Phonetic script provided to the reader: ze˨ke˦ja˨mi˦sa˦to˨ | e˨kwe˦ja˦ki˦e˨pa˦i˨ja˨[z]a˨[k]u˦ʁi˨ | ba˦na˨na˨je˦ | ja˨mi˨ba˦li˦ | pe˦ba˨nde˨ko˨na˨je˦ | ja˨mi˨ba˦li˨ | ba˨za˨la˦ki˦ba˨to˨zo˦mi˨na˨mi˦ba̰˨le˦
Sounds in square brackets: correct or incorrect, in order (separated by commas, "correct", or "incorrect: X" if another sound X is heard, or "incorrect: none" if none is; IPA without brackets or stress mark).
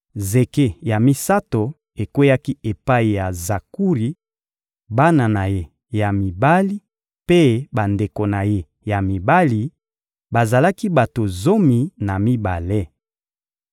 correct, correct